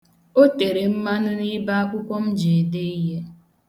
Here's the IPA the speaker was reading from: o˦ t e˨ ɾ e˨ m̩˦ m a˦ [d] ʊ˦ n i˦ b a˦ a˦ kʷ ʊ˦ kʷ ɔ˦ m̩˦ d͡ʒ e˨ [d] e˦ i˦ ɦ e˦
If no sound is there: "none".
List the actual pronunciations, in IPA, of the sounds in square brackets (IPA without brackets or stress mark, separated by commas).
n, d